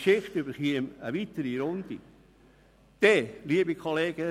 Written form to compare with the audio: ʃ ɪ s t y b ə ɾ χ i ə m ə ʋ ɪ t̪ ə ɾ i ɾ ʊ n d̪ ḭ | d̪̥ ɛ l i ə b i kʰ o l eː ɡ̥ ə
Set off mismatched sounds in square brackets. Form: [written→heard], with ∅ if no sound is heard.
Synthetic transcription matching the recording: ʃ ɪ [s→χ] t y b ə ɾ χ i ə m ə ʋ [ɪ→i] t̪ ə ɾ i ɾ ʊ n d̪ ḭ | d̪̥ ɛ l i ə b i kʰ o l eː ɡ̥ ə